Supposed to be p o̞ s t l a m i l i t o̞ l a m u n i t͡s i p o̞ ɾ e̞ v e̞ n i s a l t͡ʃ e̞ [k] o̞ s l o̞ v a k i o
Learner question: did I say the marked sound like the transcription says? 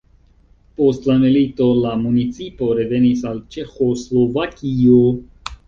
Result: no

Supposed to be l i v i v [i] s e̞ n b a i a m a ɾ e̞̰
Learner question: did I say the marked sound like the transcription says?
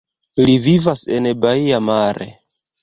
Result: no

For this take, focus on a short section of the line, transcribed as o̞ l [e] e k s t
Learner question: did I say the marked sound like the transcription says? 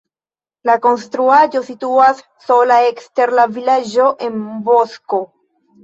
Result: no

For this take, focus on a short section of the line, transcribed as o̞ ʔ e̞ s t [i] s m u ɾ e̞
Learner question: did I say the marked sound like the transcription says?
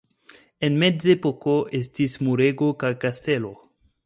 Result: yes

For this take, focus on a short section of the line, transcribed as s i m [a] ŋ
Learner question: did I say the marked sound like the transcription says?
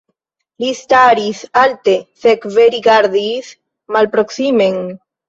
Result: no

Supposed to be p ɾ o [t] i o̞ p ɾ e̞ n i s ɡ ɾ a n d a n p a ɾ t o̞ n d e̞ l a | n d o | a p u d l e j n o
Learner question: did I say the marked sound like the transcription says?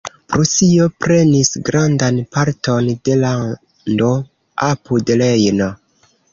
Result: no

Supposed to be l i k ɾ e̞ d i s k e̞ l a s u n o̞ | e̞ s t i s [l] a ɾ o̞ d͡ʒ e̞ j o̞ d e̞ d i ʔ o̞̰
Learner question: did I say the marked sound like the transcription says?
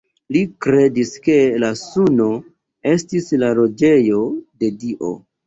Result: yes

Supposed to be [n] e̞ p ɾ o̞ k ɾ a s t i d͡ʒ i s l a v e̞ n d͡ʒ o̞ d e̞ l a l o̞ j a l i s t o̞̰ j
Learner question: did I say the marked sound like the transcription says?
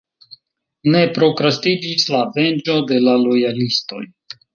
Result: yes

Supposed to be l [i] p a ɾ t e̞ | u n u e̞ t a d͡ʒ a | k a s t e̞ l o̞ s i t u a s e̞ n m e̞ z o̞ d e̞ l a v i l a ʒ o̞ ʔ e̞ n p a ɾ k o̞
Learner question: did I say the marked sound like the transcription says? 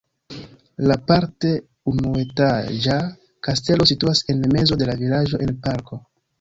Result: no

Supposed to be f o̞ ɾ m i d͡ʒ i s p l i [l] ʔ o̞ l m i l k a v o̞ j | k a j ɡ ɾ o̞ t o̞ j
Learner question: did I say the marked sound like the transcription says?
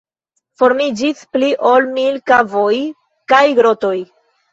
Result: no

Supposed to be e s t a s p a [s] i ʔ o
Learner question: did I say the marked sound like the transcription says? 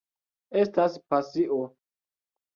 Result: yes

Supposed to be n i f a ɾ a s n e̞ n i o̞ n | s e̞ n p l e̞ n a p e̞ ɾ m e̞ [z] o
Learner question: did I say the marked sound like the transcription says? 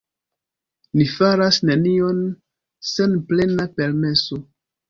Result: no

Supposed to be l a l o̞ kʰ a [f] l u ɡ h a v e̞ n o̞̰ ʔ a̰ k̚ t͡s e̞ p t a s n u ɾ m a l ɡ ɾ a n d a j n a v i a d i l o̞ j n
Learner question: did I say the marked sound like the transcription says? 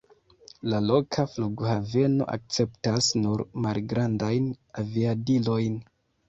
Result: yes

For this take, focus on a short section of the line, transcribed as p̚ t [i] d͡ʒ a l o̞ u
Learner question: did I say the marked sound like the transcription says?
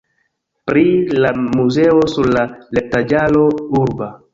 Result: no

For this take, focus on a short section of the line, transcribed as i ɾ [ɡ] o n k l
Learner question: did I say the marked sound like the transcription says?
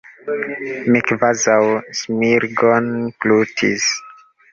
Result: yes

